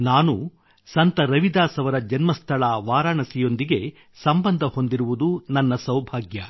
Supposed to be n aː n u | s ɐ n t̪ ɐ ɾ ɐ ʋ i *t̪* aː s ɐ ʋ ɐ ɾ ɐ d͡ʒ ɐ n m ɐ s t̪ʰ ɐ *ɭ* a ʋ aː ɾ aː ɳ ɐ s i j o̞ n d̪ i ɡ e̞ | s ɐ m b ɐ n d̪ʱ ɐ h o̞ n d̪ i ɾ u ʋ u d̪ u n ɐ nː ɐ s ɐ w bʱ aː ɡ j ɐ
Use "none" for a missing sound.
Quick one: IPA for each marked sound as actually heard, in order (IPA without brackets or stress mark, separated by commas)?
d̪, ɭ